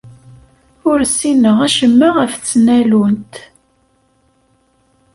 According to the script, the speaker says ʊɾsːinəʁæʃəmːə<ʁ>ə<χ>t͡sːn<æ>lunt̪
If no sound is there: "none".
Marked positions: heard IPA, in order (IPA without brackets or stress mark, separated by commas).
ʁ, f, æ